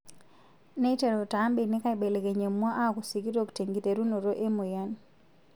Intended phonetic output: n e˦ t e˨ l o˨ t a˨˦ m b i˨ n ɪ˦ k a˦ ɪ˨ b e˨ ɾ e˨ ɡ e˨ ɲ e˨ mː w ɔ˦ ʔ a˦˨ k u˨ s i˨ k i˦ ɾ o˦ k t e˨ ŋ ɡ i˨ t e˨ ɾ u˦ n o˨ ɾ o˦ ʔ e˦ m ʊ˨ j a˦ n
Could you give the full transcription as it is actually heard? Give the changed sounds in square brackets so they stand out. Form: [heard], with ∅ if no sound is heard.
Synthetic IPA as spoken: n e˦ t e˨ [ɾ] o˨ t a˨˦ m b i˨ n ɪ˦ k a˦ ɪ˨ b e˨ [l] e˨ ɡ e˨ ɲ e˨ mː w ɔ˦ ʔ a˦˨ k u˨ s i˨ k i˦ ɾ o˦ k t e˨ ŋ ɡ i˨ t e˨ ɾ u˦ n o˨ ɾ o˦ ʔ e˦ m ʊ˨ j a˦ n